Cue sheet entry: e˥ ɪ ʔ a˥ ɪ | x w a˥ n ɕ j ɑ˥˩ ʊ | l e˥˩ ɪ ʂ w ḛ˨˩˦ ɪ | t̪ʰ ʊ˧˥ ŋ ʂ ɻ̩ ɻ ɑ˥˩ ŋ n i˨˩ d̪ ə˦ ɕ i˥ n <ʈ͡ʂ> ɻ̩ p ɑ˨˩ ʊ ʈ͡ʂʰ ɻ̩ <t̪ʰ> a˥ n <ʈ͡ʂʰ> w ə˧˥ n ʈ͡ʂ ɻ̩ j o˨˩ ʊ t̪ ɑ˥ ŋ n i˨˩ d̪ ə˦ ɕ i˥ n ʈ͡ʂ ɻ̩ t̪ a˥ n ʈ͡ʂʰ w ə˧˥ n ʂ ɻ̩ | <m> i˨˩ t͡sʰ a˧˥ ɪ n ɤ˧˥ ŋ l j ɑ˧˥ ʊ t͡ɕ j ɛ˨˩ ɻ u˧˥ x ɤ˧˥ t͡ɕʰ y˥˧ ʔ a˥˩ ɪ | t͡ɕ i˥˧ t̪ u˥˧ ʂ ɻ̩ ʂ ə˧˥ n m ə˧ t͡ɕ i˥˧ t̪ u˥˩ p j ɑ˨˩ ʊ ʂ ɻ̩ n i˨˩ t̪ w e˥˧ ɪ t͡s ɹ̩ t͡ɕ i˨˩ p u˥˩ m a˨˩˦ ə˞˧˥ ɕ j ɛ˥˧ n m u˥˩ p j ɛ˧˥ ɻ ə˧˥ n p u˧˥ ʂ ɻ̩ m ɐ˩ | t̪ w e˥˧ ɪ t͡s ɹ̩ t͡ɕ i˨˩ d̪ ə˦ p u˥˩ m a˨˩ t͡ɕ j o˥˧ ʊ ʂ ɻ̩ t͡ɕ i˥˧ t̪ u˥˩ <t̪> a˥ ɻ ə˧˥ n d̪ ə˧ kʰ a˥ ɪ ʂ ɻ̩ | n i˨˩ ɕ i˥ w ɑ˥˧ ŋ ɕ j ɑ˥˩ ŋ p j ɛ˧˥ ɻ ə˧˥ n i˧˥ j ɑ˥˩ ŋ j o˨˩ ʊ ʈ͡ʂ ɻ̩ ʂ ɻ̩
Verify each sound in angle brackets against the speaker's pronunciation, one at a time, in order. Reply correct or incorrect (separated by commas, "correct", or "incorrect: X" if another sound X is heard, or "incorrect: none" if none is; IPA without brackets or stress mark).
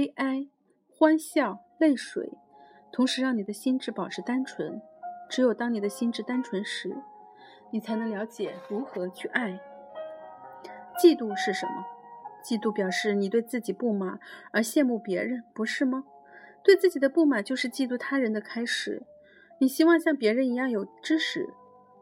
correct, incorrect: t̪, correct, incorrect: n, incorrect: t̪ʰ